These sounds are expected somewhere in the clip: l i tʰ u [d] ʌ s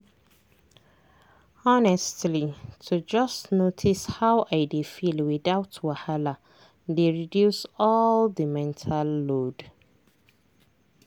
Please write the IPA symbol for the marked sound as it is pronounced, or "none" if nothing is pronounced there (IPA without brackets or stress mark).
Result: d͡ʒ